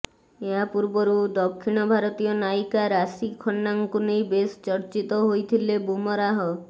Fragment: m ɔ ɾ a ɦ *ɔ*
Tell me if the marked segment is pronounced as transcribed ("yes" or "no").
yes